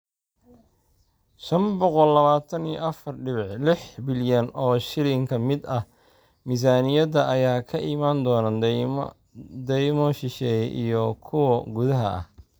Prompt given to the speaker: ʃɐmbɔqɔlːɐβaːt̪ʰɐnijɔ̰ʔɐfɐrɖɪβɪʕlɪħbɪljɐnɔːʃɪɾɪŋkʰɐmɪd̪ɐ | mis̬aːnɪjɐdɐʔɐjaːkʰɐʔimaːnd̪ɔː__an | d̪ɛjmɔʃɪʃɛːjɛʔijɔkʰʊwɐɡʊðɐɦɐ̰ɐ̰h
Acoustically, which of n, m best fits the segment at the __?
n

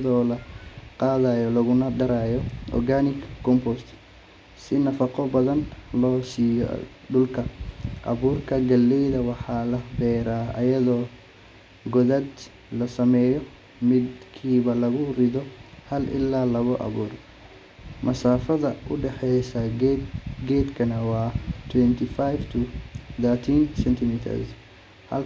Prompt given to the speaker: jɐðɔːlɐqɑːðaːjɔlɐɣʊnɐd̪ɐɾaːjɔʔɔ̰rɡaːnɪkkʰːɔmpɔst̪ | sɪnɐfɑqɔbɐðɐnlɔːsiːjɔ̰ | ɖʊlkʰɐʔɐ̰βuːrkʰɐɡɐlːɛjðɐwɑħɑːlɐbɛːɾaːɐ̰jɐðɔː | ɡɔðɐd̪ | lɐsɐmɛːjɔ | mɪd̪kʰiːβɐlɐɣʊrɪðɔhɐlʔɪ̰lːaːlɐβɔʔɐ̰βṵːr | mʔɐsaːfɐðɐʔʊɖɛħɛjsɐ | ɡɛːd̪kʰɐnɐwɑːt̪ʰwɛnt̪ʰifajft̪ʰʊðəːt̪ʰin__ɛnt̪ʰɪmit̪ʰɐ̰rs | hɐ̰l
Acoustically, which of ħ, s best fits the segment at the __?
s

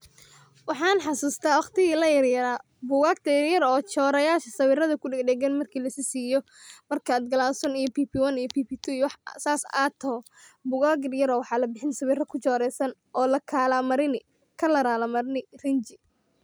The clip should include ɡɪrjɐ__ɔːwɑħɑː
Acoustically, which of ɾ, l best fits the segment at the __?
ɾ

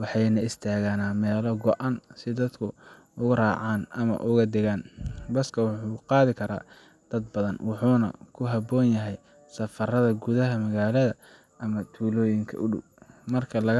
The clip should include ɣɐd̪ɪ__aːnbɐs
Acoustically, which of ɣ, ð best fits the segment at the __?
ɣ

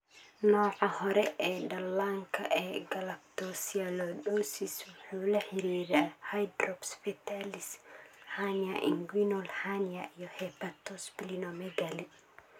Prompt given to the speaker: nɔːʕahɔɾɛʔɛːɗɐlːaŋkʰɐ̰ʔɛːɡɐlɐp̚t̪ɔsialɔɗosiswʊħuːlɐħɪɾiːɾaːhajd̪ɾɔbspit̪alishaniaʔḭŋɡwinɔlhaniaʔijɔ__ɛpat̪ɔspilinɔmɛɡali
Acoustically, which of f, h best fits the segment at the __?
h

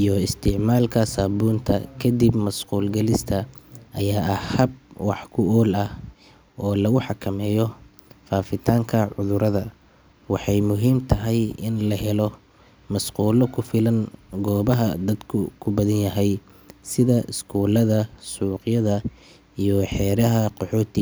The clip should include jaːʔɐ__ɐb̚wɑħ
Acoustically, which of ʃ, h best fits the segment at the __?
h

